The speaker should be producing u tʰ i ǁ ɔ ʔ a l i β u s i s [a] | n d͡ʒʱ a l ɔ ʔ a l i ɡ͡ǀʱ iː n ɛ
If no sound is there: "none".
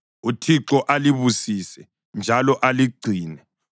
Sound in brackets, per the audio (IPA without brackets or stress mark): ɛ